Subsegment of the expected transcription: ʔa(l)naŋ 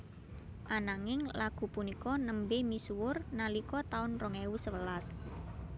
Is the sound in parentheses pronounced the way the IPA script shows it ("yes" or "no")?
no